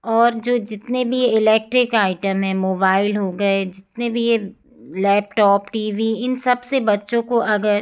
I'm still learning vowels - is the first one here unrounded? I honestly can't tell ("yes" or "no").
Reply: no